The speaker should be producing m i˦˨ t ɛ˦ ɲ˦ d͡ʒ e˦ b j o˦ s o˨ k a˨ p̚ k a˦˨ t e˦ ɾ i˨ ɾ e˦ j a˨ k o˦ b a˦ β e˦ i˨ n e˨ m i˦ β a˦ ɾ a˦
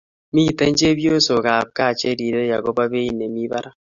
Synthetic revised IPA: m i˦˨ t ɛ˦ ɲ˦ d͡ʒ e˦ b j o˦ s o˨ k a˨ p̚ k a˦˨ t͡ʃ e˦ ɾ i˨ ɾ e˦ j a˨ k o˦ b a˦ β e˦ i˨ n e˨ m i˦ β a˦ ɾ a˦